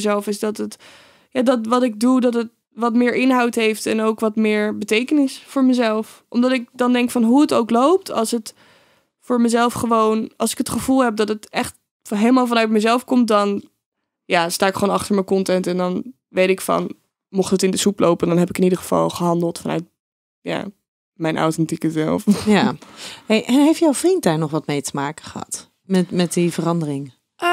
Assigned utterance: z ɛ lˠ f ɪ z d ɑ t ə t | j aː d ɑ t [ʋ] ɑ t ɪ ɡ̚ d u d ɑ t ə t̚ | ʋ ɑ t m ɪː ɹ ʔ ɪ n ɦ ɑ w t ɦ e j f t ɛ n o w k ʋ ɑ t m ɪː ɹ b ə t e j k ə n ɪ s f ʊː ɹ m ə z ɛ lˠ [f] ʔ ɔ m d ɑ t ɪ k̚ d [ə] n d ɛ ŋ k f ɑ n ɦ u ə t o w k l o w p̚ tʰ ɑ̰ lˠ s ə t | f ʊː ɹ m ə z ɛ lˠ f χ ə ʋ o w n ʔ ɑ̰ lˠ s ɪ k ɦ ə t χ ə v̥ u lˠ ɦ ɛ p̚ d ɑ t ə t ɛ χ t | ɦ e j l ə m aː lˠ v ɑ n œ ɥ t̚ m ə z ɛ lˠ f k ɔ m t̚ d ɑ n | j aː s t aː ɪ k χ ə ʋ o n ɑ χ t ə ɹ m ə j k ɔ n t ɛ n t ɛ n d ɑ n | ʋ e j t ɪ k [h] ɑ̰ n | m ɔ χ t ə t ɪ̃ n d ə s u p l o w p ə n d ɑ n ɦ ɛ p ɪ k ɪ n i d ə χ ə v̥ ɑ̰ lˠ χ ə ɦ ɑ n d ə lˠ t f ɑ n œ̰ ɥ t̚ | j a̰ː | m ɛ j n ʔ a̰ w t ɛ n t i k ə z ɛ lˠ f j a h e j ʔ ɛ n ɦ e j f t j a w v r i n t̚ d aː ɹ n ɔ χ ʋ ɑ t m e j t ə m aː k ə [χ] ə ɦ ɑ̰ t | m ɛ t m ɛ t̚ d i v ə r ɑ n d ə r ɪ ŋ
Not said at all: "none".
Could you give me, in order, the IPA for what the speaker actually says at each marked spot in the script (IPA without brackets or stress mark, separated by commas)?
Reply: ʋ, f, ɑ, f, χ